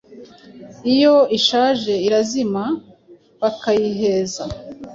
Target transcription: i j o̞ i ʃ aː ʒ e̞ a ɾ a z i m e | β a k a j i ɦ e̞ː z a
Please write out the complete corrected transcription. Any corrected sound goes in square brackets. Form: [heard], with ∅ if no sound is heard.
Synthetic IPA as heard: i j o̞ i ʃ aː ʒ e̞ [i] ɾ a z i m [a] | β a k a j i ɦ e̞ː z a

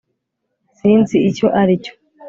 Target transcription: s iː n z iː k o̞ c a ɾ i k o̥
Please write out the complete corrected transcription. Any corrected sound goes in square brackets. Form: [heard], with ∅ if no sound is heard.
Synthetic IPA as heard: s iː n z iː [c] o̞ [ʔ] a ɾ i [c] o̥

